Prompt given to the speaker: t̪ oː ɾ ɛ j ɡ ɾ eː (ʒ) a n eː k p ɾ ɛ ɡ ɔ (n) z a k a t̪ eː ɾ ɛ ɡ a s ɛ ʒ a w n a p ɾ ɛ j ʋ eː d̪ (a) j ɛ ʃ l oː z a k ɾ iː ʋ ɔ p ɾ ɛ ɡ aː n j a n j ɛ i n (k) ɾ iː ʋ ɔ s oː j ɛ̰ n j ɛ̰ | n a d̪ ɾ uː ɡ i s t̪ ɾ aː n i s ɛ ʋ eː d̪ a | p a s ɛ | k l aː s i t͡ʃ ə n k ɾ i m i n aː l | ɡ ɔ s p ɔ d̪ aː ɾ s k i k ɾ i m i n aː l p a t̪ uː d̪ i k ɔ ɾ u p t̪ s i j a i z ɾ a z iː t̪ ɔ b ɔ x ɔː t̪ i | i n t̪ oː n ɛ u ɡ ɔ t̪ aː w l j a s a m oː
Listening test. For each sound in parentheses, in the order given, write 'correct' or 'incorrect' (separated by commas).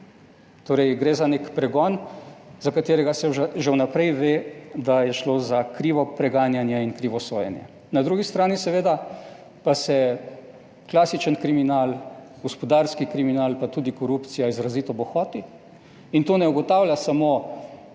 incorrect, correct, correct, correct